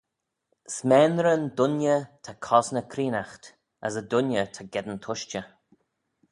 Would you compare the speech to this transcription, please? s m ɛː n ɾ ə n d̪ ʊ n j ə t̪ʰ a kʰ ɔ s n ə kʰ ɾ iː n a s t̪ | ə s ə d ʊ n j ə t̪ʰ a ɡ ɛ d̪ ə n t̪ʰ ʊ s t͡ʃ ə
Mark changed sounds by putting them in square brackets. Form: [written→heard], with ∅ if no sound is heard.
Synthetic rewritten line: s m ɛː n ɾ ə n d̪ ʊ n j ə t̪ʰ a kʰ ɔ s n ə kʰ ɾ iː n a [s→x] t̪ | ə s ə d ʊ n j ə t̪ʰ a ɡ ɛ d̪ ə n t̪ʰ ʊ [s→ʃ] t͡ʃ ə